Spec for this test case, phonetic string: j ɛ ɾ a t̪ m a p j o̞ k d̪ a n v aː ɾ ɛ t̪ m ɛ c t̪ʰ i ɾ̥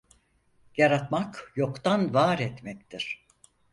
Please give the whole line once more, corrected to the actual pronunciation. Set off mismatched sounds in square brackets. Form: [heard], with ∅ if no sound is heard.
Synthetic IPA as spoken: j [a] ɾ a t̪ m a [k] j o̞ k [t̪] a n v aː ɾ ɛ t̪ m ɛ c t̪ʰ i ɾ̥